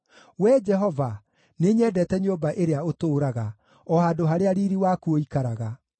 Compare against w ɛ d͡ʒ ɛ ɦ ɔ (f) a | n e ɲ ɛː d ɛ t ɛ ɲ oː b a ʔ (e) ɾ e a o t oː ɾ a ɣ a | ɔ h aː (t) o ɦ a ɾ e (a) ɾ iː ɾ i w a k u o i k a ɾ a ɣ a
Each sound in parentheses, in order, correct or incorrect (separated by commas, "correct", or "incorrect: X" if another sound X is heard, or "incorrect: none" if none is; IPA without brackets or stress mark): incorrect: v, correct, incorrect: d, correct